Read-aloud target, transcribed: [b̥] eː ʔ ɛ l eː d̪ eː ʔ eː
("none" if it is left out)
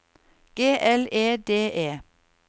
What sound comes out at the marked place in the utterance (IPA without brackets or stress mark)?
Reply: ɡ̥